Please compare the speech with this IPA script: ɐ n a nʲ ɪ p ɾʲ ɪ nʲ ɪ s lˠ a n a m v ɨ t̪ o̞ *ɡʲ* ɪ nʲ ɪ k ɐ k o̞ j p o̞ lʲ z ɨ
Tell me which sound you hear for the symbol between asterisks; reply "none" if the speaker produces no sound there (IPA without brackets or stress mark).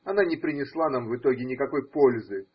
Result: ɡʲ